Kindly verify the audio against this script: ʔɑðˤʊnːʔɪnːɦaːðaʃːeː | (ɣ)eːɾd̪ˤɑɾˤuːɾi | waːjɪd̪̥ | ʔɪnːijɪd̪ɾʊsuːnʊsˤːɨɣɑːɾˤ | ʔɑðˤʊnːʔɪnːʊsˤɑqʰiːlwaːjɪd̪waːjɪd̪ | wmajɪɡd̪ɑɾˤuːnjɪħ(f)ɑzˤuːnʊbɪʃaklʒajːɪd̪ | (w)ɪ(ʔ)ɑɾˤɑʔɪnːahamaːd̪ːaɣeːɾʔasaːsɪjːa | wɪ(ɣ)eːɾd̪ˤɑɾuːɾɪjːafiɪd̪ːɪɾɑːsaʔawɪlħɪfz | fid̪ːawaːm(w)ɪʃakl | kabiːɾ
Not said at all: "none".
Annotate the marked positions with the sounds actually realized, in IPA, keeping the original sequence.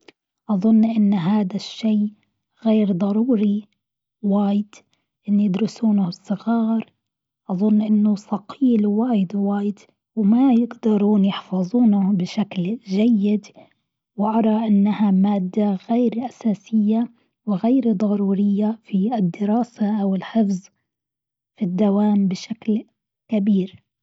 ɣ, f, w, ʔ, ɣ, b

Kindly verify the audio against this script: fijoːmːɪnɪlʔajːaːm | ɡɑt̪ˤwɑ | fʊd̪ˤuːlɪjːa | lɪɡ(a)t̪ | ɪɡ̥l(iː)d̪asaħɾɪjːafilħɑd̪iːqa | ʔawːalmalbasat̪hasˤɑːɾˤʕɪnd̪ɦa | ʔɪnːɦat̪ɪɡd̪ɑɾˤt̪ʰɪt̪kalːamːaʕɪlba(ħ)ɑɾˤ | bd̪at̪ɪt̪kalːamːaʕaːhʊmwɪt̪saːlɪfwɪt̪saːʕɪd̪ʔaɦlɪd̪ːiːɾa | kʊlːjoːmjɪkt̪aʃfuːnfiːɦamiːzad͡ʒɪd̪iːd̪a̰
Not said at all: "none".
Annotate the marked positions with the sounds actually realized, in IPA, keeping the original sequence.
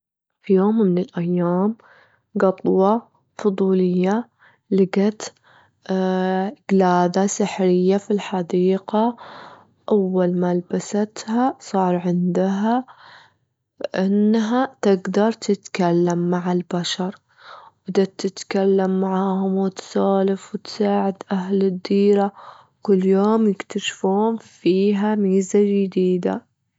a, aː, ʃ

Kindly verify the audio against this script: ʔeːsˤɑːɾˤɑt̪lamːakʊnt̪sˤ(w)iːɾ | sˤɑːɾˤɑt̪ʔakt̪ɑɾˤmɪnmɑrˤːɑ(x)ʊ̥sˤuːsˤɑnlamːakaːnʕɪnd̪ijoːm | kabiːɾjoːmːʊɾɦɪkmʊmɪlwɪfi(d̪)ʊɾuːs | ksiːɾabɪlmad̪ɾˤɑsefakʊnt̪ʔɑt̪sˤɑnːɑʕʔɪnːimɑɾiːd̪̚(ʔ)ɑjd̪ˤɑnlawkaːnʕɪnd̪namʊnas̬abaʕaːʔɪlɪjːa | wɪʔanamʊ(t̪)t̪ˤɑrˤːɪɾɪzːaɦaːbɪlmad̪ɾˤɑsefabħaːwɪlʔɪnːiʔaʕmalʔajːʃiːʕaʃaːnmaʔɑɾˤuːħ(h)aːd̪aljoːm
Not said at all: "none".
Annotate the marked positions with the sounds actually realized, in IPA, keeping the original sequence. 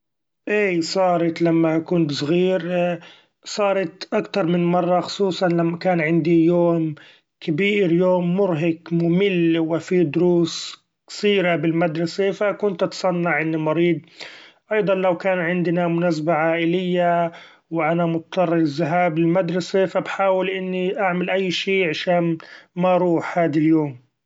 ɣ, x, d̪, ʔ, t̪, h

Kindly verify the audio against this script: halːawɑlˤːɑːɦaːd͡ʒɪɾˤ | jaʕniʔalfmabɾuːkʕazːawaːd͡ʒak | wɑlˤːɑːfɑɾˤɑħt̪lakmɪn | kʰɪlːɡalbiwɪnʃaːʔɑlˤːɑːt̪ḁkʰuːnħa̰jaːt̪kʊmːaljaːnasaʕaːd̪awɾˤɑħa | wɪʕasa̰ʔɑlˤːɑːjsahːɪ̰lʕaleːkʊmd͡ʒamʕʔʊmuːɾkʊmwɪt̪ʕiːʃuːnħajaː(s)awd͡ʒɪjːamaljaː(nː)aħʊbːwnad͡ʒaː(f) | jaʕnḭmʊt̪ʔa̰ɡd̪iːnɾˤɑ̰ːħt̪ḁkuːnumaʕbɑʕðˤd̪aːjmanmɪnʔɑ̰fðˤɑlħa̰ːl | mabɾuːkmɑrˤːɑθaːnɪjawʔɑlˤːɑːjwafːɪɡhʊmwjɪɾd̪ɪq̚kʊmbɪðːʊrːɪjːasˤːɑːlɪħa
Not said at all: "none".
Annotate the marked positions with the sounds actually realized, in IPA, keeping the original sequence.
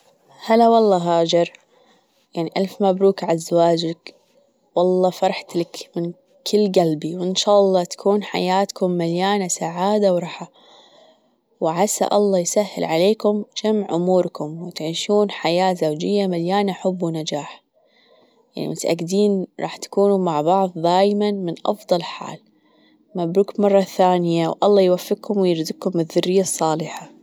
z, n, ħ

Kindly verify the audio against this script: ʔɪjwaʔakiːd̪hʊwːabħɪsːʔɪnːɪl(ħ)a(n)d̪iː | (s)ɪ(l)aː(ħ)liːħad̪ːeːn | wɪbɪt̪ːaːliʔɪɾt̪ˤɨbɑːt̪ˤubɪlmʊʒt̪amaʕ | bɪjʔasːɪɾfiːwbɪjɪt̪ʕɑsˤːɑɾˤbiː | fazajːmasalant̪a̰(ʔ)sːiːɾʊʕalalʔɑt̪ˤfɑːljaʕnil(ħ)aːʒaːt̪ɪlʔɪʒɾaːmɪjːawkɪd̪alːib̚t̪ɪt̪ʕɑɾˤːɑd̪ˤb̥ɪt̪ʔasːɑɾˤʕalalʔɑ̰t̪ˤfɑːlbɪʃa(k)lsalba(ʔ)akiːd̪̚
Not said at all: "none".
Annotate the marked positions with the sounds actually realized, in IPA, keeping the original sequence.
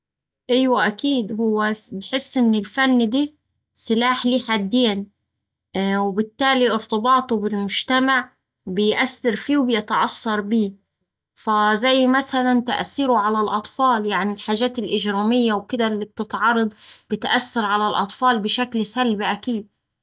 f, nː, s, l, ħ, ʔ, ħ, k, ʔ

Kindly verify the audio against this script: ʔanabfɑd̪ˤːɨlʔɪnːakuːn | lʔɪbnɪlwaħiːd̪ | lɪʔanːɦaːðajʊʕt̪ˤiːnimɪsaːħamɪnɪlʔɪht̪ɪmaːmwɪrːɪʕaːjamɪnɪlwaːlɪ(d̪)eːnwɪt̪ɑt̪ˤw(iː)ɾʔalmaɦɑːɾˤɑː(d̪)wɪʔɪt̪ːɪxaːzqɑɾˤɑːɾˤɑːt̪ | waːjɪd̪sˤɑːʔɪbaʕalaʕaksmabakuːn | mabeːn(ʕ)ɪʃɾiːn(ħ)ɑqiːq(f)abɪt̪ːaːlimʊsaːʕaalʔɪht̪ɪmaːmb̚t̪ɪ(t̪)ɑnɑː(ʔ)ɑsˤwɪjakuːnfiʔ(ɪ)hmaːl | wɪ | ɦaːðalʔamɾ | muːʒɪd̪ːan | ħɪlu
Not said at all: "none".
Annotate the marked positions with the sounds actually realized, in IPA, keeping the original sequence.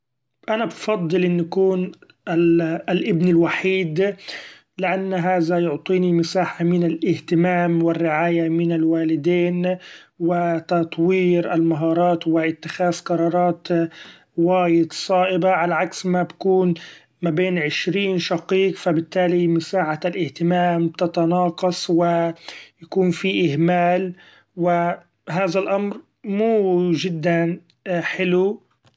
d̪, iː, t̪, ʕ, ʃ, f, t̪, q, ɪ

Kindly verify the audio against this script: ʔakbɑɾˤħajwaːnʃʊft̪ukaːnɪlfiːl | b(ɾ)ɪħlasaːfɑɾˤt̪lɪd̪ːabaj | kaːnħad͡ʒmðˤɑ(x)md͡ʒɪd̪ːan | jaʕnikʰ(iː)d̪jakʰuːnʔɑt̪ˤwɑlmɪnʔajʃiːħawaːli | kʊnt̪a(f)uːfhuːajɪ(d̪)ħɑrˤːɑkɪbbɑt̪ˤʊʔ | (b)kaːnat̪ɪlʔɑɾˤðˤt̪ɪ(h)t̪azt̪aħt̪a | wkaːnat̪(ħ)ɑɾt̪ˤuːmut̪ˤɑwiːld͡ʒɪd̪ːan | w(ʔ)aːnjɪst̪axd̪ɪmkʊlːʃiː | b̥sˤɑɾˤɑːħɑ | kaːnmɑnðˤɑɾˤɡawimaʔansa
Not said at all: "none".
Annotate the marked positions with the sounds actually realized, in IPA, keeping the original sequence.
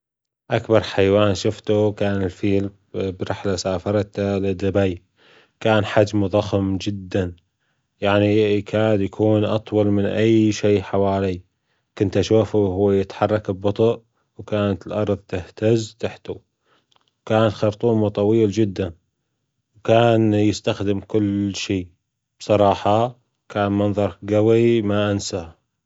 ɾ, x, aː, ʃ, t̪, w, h, x, k

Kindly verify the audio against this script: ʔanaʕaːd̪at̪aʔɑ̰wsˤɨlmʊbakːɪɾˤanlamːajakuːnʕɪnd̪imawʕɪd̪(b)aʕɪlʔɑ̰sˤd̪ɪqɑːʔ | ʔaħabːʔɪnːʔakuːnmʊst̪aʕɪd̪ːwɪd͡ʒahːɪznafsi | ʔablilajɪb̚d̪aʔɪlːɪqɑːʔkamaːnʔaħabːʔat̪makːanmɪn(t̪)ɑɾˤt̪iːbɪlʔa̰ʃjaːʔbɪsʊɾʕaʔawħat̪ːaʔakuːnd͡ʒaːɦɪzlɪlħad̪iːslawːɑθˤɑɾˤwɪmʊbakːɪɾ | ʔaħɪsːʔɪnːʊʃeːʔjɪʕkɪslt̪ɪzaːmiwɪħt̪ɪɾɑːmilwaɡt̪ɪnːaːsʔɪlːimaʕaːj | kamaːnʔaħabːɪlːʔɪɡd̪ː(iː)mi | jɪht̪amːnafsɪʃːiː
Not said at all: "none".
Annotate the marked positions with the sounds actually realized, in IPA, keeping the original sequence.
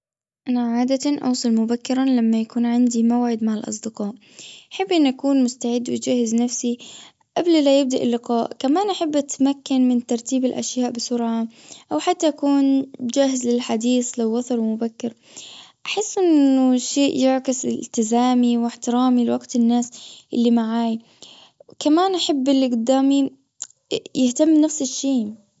m, t̪, aː

